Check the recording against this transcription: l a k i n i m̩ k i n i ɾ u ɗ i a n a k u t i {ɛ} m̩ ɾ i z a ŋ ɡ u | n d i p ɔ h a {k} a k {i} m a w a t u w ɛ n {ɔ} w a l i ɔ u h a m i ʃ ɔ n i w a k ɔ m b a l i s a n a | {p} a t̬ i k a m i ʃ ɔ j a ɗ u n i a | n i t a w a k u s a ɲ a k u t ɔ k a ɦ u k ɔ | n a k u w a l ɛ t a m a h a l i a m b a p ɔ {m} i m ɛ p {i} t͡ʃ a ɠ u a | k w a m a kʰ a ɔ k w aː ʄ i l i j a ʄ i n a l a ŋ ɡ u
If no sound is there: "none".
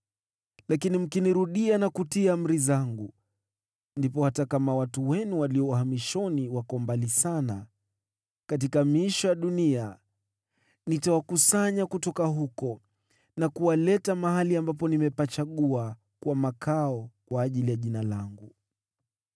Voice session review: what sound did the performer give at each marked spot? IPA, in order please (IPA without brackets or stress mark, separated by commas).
a, t, a, u, k, n, a